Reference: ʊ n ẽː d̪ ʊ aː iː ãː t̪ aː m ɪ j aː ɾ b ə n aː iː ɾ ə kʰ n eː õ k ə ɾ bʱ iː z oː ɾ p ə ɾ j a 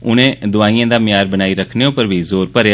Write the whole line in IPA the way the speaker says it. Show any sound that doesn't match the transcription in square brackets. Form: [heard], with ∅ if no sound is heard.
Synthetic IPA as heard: ʊ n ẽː d̪ ʊ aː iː ãː [d̪] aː m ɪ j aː ɾ b ə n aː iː ɾ ə kʰ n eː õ [p] ə ɾ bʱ iː z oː ɾ p ə ɾ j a